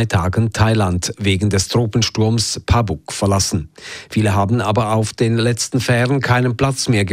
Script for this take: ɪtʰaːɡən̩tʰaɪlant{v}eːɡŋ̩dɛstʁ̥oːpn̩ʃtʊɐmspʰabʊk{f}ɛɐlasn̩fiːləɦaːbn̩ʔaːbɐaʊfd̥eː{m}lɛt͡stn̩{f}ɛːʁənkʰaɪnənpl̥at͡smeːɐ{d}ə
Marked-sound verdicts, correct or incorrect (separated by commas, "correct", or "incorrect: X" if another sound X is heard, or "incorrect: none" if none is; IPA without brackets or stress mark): correct, correct, incorrect: n, correct, incorrect: ɡ